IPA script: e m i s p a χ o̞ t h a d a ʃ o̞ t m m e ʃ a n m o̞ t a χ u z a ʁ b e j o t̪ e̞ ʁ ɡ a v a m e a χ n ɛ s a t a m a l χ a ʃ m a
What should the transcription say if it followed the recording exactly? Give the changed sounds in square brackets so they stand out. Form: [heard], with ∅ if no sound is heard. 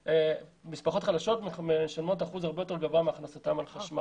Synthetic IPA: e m i s p a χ o̞ t [χ] a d a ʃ o̞ t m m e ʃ a n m o̞ t a χ u z a ʁ b e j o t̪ e̞ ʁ ɡ a v a m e a χ n [a] s a t a m a l χ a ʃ m a